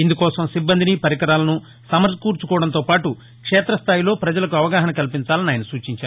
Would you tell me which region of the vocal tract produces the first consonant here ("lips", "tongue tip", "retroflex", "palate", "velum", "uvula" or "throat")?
tongue tip